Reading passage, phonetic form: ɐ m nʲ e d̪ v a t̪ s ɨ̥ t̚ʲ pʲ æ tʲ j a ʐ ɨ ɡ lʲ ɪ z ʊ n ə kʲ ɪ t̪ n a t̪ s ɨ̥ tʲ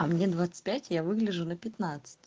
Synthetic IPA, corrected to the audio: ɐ m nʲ e d̪ v a t̪ s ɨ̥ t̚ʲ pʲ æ tʲ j a v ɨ ɡ lʲ ɪ ʐ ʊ n ə pʲ ɪ t̪ n a t̪ s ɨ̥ tʲ